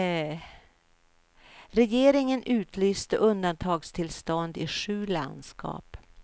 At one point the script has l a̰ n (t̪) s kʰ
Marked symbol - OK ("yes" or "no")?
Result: no